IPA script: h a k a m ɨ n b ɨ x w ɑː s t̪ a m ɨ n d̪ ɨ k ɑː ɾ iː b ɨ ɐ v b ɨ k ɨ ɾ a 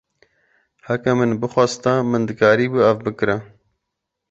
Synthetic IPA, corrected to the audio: h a k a m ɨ n b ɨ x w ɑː s t̪ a m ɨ n d̪ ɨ k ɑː ɾ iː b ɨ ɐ v b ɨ k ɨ ɾ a